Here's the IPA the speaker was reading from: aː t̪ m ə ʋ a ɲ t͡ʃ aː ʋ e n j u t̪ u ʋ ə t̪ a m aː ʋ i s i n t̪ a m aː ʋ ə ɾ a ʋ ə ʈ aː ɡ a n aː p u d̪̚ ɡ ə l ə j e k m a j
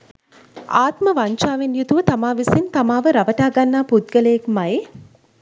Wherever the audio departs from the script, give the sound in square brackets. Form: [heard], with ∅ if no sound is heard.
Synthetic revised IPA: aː t̪ m ə ʋ a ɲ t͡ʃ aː ʋ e n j u t̪ u ʋ ə t̪ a m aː ʋ i s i n t̪ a m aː ʋ ə ɾ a ʋ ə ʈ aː ɡ a [nː] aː p u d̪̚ ɡ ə l ə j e k m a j

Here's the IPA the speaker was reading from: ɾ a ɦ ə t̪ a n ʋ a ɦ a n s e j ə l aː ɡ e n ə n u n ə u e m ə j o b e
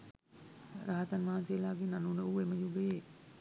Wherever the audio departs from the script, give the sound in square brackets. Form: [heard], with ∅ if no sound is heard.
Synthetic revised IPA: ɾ a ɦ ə t̪ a n ʋ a ɦ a n s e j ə l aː ɡ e n [a] n u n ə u e m ə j [u] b e

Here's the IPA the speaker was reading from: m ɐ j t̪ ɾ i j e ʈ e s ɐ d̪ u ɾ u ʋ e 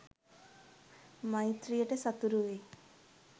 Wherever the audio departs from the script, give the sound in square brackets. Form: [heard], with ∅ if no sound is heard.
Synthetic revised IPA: m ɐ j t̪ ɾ i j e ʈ e s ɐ [t̪] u ɾ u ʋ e

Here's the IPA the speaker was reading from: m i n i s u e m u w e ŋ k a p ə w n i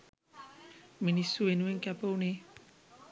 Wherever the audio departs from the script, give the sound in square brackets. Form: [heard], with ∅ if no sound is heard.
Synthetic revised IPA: m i n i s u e [n] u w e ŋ k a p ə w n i

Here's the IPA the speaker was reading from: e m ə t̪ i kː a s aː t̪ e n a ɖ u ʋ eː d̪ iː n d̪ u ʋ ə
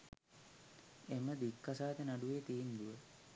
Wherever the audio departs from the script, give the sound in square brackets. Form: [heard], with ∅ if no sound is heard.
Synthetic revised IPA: e m ə [d̪] i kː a s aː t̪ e n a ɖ u ʋ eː [t̪] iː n d̪ u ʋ ə

